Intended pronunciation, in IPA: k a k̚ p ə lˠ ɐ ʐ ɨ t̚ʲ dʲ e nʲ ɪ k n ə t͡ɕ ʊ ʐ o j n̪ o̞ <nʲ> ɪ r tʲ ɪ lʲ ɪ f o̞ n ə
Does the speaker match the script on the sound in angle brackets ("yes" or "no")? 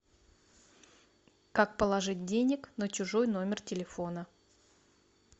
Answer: no